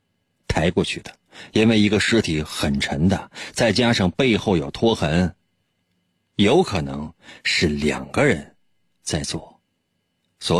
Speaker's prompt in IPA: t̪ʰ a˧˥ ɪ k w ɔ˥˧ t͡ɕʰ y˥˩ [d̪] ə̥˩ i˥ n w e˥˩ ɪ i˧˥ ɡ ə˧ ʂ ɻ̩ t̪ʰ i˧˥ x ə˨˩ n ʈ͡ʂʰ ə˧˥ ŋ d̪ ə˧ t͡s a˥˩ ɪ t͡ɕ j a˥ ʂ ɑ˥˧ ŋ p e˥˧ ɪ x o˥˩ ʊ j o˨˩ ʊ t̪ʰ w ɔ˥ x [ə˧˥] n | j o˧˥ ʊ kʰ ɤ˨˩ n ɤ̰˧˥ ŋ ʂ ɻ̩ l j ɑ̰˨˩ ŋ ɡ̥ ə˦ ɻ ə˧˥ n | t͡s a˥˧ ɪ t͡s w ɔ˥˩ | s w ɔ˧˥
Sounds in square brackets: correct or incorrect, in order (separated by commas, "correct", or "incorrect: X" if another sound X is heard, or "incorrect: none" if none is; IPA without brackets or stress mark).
correct, correct